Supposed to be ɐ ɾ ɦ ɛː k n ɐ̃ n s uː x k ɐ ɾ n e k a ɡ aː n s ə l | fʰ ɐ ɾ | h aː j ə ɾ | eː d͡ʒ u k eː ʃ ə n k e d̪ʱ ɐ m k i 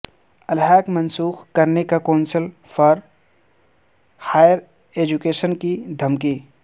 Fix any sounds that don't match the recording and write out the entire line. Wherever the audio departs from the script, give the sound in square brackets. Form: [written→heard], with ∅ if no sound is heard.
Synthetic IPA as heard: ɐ [ɾ→l] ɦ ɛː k [n→m] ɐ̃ n s uː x k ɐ ɾ n e k a [ɡ→k] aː n s ə l | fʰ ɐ ɾ | h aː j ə ɾ | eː d͡ʒ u k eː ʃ ə n k [e→i] d̪ʱ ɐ m k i